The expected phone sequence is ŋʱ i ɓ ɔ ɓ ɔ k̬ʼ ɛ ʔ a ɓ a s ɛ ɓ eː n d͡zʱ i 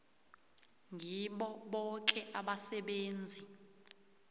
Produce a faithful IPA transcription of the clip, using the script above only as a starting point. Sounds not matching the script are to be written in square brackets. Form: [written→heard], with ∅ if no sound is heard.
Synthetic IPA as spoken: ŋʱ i ɓ ɔ ɓ ɔ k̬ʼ ɛ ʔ a ɓ a s ɛ ɓ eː n d͡zʱ i